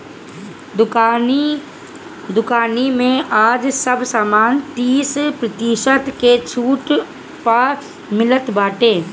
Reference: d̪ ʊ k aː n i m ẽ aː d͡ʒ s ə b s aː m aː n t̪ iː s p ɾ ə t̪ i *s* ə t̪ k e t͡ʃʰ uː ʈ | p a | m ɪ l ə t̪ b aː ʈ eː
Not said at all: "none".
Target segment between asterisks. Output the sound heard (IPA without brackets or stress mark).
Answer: ʃ